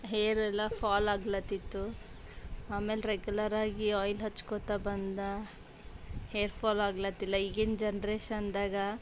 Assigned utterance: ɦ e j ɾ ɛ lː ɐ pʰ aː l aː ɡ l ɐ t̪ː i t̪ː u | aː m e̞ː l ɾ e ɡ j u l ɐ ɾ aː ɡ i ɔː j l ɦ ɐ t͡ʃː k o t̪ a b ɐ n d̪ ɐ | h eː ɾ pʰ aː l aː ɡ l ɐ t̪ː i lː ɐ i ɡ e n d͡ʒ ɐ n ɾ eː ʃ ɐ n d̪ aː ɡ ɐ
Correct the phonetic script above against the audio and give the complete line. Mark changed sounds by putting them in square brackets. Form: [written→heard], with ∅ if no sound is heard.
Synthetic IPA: ɦ e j ɾ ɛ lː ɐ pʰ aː l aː ɡ l ɐ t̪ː i t̪ː u | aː m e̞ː l ɾ e ɡ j u l ɐ ɾ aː ɡ i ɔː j l ɦ ɐ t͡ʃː k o t̪ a b ɐ n d̪ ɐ | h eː ɾ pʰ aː l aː ɡ l ɐ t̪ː i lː ɐ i ɡ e n d͡ʒ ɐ n ɾ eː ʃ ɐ n d̪ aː ɡ ɐ